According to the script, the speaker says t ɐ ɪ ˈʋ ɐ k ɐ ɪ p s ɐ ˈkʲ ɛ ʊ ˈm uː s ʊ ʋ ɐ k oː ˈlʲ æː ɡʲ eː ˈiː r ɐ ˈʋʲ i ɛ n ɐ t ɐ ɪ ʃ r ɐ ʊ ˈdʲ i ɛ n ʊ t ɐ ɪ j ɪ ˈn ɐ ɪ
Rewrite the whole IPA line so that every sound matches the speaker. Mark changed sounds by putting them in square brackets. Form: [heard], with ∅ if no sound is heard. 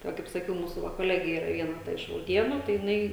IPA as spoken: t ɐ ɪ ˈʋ ɐ k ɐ ɪ p s ɐ ˈkʲ ɛ ʊ ˈm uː s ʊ ʋ ɐ k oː ˈlʲ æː ɡʲ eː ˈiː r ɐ ˈʋʲ i ɛ n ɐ t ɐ ɪ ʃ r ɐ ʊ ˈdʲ i ɛ n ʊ t ɐ ɪ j ɪ ˈn ɐ ɪ